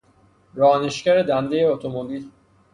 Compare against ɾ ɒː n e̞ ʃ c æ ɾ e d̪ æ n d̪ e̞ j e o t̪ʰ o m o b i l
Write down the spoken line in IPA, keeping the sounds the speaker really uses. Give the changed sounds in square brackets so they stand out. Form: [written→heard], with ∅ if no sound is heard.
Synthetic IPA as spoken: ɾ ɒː n e̞ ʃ c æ ɾ e d̪ æ n d̪ e̞ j e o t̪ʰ o m o b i l